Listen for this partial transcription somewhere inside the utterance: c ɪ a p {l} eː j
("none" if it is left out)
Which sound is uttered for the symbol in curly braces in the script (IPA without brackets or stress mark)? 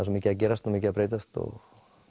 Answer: ɾ